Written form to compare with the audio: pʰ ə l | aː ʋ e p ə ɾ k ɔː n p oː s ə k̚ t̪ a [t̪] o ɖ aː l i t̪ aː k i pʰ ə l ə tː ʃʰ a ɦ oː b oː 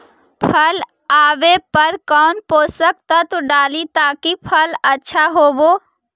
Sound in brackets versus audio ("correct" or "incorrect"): correct